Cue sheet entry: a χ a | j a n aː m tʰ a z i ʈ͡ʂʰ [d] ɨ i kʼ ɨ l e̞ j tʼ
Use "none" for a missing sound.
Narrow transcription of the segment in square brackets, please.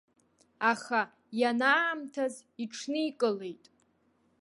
n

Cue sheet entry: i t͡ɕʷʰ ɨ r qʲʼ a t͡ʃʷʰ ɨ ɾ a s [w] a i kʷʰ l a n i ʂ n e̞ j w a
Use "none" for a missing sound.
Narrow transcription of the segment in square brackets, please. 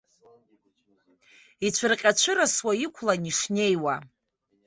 w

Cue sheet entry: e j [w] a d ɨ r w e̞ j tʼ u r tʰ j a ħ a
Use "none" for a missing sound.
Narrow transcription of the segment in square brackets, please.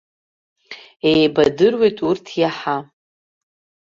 b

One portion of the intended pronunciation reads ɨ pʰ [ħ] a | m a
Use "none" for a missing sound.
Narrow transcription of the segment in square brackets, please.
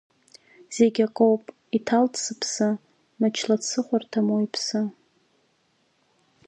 s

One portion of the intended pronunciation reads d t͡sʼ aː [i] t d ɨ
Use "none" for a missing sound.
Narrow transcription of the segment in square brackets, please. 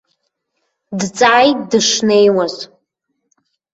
j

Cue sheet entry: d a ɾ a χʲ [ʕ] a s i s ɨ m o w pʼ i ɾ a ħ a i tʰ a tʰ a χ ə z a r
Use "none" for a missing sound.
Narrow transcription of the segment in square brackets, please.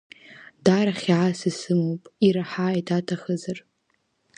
ʕ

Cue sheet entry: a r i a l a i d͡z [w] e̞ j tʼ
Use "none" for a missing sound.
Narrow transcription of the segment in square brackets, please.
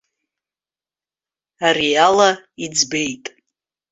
b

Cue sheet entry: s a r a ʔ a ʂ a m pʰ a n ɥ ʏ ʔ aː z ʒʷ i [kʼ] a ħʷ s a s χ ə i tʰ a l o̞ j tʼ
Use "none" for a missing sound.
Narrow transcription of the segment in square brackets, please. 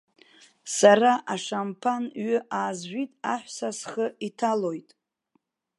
tʼ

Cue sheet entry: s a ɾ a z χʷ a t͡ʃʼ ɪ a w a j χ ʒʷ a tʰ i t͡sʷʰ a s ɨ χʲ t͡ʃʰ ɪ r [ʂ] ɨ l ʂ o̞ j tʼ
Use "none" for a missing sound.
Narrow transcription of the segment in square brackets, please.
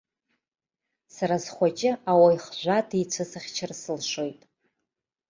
s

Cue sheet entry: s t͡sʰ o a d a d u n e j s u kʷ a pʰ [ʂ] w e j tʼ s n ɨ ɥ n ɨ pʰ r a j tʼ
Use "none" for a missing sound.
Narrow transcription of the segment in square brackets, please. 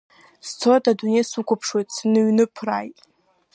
ʂ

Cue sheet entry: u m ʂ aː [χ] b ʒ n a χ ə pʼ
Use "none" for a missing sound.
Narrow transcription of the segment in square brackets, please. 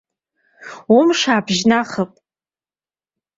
none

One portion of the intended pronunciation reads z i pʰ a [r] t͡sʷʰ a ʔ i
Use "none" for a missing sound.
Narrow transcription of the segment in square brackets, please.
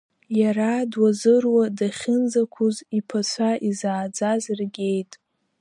none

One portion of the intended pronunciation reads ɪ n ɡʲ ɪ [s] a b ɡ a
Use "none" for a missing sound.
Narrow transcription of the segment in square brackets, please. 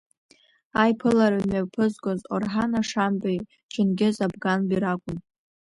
z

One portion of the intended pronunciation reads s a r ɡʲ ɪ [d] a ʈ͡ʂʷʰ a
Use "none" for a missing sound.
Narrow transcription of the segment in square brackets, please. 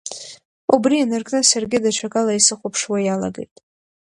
d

